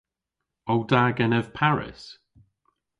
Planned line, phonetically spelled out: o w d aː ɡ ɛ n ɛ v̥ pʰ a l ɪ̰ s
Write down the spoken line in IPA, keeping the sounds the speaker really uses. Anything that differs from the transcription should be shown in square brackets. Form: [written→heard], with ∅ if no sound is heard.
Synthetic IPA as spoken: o w d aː ɡ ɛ n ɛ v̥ pʰ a [l→ɹ] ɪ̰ s